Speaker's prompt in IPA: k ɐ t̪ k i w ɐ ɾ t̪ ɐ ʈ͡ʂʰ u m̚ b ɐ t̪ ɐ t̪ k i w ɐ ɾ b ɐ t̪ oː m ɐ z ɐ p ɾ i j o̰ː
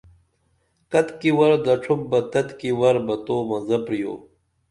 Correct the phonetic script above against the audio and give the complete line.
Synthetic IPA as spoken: k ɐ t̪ k i w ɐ ɾ d̪ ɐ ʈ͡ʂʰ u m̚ b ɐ t̪ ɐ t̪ k i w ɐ ɾ b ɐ t̪ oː m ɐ z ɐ p ɾ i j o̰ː